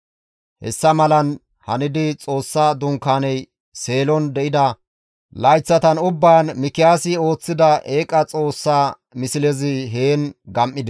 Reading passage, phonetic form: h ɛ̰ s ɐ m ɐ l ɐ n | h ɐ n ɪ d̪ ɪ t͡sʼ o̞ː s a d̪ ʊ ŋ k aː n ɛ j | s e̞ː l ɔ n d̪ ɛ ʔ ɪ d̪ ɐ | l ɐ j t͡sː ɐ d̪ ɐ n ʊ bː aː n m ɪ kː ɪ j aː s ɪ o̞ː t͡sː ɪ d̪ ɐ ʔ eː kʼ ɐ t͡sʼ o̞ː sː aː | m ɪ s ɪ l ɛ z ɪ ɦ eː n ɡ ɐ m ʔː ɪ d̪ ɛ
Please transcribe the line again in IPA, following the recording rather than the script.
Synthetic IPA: h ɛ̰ sː ɐ m ɐ l ɐ n | h ɐ n ɪ d̪ ɪ t͡sʼ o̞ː sː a d̪ ʊ ŋ k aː n ɛ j | s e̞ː l ɔ n d̪ ɛ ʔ ɪ d̪ ɐ | l ɐ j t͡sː ɐ t̪ ɐ n ʊ bː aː n m ɪ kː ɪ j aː s ɪ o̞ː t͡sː ɪ d̪ ɐ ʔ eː kʼ ɐ t͡sʼ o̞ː sː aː | m ɪ s ɪ l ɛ z ɪ ɦ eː n ɡ ɐ m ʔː ɪ d̪ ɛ